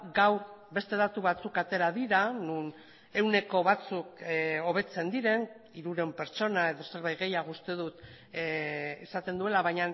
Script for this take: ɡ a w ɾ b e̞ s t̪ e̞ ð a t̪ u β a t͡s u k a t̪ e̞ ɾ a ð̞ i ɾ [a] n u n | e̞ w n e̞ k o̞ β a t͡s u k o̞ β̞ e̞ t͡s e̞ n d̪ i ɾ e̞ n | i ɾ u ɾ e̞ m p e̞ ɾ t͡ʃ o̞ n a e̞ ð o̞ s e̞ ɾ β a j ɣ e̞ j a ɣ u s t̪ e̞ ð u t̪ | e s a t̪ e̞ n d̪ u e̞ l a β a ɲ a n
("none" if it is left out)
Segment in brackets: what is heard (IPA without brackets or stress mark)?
a